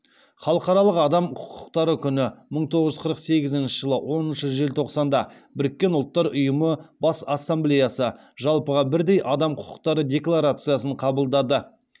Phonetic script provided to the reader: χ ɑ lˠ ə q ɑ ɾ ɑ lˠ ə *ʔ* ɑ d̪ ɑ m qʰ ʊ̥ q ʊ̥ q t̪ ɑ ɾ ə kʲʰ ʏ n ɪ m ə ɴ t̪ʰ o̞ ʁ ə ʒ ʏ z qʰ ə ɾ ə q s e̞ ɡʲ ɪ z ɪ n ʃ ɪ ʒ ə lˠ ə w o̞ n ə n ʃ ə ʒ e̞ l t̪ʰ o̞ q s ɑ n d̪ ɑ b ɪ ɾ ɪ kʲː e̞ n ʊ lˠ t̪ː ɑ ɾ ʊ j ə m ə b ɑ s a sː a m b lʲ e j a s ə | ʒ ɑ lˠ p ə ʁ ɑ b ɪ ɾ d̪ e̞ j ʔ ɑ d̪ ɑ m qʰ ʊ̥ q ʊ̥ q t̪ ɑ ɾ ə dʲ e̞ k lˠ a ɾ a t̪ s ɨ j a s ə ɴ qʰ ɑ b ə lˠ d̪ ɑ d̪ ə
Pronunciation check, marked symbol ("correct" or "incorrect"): incorrect